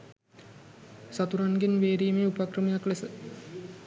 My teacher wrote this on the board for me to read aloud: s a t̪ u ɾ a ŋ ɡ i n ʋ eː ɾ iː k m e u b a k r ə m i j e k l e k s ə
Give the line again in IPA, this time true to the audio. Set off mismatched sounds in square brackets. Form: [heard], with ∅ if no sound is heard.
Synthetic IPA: s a t̪ u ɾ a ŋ ɡ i n ʋ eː ɾ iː [∅] m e u [p] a k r ə m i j [a] k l e [∅] s ə